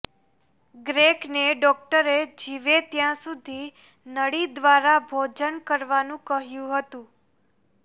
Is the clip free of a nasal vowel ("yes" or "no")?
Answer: no